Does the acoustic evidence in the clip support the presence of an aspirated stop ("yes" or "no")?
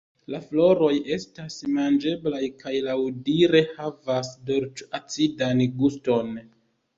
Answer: no